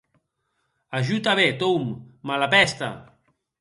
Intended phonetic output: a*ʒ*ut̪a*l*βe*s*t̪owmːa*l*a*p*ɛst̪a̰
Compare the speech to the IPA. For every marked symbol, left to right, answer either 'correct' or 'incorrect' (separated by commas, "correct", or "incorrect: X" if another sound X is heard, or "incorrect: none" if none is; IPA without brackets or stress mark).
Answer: correct, incorrect: none, incorrect: none, correct, correct